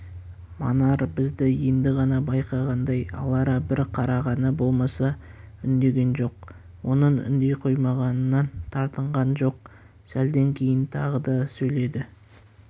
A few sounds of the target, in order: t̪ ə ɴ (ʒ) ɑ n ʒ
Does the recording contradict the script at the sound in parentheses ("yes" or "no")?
yes